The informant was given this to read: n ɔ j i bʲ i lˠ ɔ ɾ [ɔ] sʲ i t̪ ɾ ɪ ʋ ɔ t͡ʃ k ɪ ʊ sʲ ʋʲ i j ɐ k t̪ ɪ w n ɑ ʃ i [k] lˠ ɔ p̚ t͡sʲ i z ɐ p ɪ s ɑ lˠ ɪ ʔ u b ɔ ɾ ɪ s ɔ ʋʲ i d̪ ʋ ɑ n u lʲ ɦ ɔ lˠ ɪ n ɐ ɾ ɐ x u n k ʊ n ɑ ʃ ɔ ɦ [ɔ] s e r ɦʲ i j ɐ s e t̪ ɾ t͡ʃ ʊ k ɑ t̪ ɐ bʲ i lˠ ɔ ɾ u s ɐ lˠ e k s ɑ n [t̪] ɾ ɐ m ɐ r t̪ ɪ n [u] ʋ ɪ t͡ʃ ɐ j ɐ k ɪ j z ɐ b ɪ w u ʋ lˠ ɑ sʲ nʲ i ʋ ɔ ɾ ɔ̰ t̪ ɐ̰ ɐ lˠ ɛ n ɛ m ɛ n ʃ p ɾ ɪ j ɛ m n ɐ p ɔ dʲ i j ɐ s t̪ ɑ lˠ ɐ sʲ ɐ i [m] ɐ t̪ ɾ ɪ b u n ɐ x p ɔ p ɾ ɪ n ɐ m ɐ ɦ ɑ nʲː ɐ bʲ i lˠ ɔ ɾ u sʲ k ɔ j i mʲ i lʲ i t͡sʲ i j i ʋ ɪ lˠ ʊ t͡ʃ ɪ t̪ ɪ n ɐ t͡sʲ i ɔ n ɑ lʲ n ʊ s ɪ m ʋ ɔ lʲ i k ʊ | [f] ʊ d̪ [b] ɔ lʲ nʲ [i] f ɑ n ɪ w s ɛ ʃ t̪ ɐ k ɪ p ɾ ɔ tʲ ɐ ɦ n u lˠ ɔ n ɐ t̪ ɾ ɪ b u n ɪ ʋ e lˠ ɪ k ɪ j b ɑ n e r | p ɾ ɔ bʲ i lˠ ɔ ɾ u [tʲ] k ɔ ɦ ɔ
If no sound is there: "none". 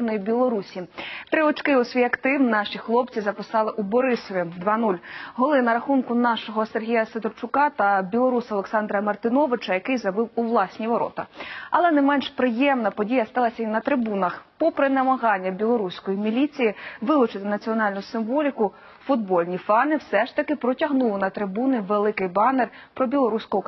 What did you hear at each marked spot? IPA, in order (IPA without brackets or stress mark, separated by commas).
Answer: u, x, ɔ, d̪, ɔ, n, f, b, i, sʲ